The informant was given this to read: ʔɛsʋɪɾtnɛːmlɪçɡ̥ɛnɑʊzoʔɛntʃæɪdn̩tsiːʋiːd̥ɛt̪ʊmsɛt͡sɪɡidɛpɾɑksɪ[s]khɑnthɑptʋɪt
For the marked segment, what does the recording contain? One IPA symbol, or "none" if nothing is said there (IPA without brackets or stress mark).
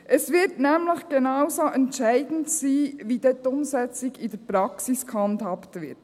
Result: s